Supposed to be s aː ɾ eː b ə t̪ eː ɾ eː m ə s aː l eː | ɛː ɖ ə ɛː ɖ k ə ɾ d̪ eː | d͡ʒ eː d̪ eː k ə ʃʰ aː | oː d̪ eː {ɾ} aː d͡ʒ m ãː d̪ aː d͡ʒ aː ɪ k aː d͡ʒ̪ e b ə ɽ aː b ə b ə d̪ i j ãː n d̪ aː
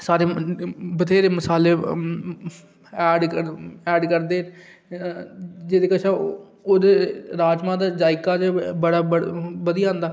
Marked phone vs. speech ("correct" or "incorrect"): correct